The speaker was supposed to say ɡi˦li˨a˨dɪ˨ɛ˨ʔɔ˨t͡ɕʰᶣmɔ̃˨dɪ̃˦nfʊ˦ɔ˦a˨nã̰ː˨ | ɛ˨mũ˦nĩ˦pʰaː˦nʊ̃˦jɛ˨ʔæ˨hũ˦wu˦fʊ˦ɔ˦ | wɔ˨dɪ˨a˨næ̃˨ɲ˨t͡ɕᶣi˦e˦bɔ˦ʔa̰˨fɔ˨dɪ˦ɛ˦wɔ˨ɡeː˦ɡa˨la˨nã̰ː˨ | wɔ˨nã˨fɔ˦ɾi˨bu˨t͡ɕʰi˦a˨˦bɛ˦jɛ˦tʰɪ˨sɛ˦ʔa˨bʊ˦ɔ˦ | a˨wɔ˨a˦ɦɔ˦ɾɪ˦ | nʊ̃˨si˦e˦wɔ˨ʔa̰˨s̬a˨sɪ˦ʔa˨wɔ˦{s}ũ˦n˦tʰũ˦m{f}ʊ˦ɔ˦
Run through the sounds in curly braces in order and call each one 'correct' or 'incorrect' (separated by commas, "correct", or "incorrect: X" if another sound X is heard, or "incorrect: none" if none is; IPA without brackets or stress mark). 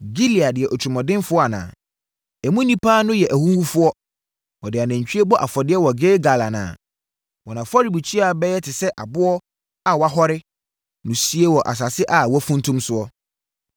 incorrect: f, incorrect: s